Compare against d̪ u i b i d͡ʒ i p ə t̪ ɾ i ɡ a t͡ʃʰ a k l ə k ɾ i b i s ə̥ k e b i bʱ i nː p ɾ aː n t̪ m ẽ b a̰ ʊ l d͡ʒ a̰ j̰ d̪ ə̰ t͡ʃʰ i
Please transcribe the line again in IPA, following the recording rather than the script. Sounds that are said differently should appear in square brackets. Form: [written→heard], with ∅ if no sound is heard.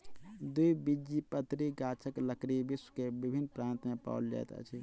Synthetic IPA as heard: d̪ u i b i d͡ʒ i p ə t̪ ɾ i ɡ a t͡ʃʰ [a→ə] k l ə k ɾ i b i s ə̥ k e b i bʱ i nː p ɾ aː n t̪ m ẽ [b→p] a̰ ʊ l d͡ʒ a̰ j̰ [d̪→t̪] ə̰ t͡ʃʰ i